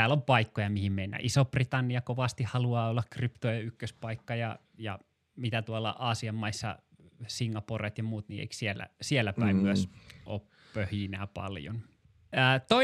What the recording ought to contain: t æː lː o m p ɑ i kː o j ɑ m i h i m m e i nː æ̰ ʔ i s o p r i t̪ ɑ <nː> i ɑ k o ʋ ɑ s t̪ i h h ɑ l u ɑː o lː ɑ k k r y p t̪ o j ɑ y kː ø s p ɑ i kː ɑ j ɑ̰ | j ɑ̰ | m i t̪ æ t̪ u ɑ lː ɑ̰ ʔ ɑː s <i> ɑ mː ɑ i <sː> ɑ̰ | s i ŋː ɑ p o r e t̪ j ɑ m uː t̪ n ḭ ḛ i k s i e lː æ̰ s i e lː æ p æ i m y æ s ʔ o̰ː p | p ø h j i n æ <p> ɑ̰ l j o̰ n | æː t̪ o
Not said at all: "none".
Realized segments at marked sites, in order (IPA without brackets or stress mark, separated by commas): nː, i, sː, p